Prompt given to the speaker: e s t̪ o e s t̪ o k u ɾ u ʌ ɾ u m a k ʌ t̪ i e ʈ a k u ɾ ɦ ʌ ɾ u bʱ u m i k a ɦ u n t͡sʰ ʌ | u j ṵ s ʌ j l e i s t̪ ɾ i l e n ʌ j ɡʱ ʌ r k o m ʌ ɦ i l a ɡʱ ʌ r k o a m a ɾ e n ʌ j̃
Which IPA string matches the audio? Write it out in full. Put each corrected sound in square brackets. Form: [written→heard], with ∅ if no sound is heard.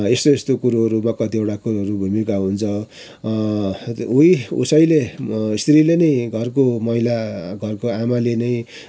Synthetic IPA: e s t̪ o e s t̪ o k u ɾ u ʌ ɾ u m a k ʌ t̪ i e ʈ a k u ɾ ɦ ʌ ɾ u bʱ u m i k a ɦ u n t͡sʰ ʌ | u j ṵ s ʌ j l e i s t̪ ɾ i l e n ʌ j ɡʱ ʌ r k o m ʌ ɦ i l a ɡʱ ʌ r k o a m a [ɾ→l] e n ʌ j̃